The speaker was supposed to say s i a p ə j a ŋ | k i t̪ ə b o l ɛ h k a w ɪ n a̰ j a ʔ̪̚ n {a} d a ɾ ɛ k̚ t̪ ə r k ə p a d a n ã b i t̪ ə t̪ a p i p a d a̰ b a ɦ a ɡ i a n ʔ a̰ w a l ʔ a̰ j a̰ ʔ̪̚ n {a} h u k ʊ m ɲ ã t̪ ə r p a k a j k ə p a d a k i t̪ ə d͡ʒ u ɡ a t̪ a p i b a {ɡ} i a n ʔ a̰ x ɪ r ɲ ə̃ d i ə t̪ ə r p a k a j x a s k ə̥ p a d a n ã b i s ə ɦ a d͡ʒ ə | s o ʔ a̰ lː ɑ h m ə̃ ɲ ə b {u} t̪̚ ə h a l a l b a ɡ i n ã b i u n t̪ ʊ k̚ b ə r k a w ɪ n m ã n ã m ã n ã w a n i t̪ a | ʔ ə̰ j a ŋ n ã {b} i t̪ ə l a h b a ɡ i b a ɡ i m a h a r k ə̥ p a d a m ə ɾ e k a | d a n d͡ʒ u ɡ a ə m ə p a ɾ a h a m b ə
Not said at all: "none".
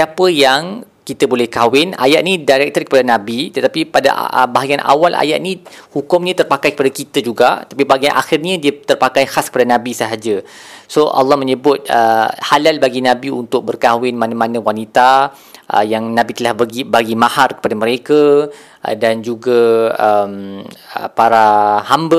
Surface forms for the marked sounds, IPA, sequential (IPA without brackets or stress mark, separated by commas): i, i, ɡ, ʊ, b